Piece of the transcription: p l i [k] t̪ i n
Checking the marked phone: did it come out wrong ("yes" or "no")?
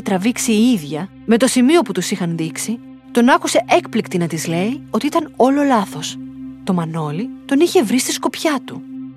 no